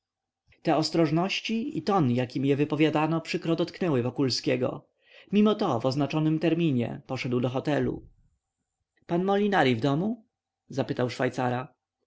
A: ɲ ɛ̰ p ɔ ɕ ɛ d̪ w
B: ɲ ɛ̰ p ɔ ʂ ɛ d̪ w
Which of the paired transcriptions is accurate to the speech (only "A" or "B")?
B